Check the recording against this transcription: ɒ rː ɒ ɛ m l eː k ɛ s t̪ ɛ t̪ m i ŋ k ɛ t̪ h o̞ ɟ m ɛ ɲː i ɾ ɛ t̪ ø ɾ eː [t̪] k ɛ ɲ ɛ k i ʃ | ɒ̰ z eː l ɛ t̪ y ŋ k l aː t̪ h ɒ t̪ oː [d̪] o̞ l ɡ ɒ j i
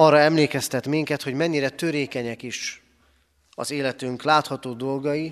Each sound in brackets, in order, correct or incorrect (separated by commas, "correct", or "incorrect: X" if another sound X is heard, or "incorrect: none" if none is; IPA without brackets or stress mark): incorrect: none, correct